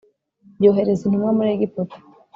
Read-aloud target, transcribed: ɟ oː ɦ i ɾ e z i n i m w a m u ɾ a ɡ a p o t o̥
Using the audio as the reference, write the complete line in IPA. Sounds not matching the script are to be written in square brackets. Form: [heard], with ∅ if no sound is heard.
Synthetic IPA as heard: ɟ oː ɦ [e] ɾ e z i n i m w a m u ɾ [e] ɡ [i] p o t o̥